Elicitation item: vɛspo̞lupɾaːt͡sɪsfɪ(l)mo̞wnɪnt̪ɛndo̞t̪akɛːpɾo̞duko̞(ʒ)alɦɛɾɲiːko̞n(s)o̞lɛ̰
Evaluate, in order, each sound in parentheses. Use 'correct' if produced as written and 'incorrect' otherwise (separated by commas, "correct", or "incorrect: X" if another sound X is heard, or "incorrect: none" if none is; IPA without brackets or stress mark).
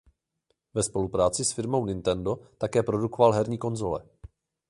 incorrect: ɾ, incorrect: v, incorrect: z